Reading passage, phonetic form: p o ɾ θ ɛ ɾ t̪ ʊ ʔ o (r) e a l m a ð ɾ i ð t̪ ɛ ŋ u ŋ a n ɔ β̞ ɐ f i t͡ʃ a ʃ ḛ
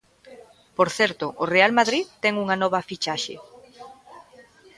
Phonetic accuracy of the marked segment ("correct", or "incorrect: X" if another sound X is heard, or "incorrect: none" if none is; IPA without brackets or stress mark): correct